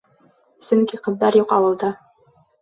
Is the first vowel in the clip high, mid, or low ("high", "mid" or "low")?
mid